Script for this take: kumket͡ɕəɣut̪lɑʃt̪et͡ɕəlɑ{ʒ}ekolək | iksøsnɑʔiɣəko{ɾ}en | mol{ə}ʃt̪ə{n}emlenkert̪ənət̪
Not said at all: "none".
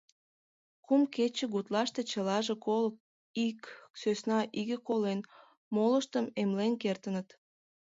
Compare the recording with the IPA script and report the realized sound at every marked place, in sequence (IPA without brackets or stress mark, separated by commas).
ʒ, l, ə, m